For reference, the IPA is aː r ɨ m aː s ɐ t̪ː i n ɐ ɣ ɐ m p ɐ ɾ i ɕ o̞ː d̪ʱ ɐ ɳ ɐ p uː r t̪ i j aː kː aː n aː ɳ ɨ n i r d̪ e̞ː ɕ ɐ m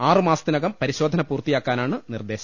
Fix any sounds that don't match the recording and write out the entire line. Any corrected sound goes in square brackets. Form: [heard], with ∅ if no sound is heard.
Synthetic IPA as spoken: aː r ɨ m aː s ɐ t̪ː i n ɐ ɣ ɐ m p ɐ ɾ i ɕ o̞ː d̪ʱ ɐ [n] ɐ p uː r t̪ i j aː kː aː n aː ɳ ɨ n i r d̪ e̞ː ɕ ɐ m